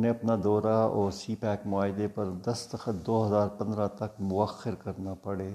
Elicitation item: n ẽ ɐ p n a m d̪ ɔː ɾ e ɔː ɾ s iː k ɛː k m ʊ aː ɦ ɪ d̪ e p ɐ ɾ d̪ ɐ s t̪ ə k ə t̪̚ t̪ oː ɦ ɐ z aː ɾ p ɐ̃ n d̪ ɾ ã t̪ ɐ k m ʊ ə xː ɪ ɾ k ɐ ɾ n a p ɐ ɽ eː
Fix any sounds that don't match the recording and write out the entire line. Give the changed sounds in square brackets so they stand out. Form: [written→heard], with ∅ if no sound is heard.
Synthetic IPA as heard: n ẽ ɐ p n a [m→∅] d̪ ɔː ɾ [e→a] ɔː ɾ s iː [k→p] ɛː k m ʊ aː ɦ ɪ d̪ e p ɐ ɾ d̪ ɐ s t̪ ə [k→x] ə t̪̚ [t̪→d̪] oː ɦ ɐ z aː ɾ p ɐ̃ n d̪ ɾ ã t̪ ɐ k m ʊ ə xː ɪ ɾ k ɐ ɾ n a p ɐ ɽ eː